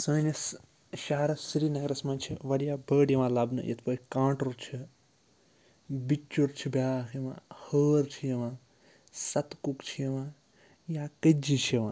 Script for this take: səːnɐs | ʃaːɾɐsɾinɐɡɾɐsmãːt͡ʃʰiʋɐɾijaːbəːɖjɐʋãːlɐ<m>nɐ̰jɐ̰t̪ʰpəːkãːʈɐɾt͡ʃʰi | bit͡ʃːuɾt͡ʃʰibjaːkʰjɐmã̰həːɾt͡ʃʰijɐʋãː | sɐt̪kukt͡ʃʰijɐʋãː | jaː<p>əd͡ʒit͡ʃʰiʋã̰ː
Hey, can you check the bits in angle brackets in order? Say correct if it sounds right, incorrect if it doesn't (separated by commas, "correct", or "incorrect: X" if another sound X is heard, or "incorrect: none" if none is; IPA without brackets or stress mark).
incorrect: b, incorrect: k